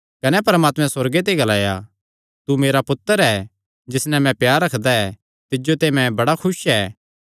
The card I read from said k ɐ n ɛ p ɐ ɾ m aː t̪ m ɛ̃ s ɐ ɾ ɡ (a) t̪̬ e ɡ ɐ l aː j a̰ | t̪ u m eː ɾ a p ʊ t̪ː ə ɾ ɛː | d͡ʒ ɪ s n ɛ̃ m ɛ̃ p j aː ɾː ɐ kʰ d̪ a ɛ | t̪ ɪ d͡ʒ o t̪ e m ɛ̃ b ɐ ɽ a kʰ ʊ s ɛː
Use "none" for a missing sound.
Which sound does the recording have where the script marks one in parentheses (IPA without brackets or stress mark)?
e